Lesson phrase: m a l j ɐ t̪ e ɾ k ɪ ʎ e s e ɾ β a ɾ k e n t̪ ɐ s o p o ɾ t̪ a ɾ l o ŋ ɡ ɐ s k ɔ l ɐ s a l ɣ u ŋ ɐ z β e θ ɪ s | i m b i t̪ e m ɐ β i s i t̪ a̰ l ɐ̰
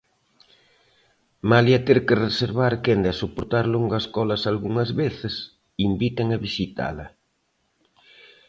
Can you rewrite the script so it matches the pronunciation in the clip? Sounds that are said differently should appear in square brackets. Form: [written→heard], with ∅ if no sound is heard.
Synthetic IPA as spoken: m a l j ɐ t̪ e ɾ k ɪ [ʎ→r] e s e ɾ β a ɾ k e n [t̪→d̪] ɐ s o p o ɾ t̪ a ɾ l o ŋ ɡ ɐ s k ɔ l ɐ s a l ɣ u ŋ ɐ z β e θ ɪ s | i m b i t̪ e [m→ŋ] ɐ β i s i t̪ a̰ l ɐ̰